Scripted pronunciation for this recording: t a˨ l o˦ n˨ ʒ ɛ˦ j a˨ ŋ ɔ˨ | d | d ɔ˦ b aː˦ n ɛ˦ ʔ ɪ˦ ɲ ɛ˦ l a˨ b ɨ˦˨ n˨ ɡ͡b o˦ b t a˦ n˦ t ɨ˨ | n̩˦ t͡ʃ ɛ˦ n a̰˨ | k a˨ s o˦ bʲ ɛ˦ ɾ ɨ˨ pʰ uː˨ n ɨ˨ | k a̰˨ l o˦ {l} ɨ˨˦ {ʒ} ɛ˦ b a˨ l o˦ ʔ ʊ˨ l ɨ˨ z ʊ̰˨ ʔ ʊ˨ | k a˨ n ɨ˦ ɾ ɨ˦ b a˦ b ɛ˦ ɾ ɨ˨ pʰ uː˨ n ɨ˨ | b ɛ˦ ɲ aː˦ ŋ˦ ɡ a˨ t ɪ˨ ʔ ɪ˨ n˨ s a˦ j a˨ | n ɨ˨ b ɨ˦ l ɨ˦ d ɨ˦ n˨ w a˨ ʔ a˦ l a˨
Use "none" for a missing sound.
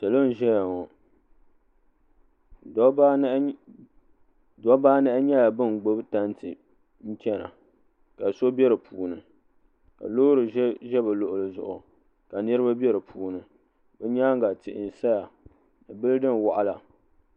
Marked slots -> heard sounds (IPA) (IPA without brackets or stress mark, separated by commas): ɾ, ʒ